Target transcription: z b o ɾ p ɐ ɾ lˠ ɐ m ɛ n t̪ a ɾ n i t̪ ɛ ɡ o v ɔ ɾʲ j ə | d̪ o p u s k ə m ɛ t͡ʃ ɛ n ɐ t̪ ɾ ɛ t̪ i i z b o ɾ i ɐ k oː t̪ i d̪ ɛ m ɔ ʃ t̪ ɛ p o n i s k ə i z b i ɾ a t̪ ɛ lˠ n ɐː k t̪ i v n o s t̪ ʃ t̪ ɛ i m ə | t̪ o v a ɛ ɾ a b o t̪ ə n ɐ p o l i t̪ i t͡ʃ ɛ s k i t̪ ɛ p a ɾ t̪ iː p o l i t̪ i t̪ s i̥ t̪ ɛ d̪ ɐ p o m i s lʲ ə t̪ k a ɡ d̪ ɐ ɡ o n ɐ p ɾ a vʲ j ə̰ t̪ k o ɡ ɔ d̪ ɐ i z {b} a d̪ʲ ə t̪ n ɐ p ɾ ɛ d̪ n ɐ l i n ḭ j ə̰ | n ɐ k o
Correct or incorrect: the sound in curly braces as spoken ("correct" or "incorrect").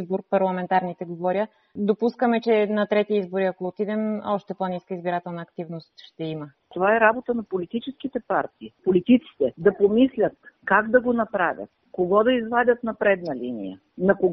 incorrect